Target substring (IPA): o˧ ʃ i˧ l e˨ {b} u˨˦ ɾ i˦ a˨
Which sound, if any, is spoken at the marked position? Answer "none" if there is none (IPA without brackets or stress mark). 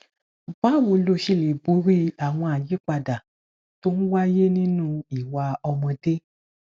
b